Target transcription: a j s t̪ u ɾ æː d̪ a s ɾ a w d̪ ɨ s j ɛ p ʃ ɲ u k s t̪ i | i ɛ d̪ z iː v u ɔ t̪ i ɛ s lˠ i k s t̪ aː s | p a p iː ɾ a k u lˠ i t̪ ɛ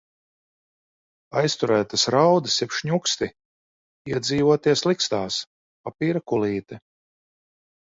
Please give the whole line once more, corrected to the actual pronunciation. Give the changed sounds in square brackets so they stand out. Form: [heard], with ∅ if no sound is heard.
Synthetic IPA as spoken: a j s t̪ u ɾ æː [t̪] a s ɾ a w d̪ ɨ s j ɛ p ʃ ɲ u k s t̪ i | i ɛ d̪ z iː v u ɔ t̪ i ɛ s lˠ i k s t̪ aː s | p a p iː ɾ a k u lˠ [iː] t̪ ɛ